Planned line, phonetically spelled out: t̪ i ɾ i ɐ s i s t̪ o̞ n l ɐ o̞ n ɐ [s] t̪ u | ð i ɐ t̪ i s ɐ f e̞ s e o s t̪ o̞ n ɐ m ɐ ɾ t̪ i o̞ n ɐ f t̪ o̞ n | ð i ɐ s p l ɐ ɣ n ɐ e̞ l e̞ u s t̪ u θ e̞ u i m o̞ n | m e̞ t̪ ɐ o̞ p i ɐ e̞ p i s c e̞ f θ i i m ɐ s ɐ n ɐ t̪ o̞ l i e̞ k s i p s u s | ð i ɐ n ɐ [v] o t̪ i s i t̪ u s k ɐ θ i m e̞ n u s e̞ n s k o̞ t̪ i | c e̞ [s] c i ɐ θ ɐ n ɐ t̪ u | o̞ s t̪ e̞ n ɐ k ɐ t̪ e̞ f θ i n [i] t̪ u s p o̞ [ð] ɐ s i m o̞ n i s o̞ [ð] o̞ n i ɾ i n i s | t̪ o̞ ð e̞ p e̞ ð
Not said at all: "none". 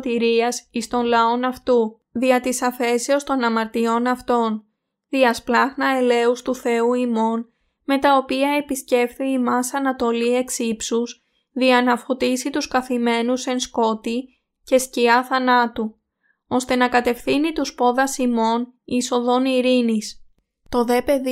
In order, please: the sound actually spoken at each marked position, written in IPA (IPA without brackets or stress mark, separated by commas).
f, f, s, i, ð, ð